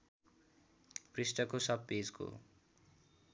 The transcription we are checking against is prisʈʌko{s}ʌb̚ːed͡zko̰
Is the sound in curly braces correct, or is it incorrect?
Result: correct